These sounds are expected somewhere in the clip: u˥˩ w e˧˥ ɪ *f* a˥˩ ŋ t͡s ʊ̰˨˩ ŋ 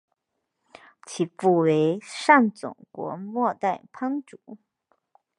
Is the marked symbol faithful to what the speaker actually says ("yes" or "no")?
no